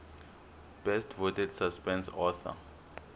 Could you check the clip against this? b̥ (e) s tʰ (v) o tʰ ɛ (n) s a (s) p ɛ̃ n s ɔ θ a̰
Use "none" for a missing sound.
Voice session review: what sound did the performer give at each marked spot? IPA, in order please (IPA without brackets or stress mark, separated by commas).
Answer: ɛ, v, d, s